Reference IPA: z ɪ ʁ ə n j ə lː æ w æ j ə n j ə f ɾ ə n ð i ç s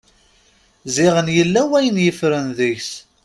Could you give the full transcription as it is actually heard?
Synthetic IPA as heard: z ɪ ʁ ə n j ə lː æ w æ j ə n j ə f ɾ ə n ð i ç s